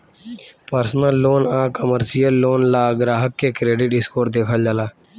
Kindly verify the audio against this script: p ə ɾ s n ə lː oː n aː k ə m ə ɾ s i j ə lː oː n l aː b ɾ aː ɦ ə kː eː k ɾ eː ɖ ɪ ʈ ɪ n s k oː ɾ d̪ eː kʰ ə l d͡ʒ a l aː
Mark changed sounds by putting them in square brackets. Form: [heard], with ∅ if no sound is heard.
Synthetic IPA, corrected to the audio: p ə ɾ s n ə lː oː n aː k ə m ə ɾ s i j ə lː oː n l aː [ɡ] ɾ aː ɦ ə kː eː k ɾ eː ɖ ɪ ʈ ɪ [∅] s k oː ɾ d̪ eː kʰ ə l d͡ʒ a l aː